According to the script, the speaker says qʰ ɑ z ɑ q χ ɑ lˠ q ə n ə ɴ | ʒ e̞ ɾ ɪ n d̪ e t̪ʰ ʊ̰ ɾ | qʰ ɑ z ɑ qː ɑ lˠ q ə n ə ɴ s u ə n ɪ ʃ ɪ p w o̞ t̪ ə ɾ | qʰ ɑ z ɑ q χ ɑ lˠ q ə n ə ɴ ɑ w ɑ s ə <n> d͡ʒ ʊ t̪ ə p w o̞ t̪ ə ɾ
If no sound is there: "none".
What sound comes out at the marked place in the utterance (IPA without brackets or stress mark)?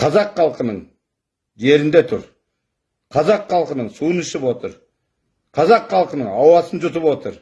n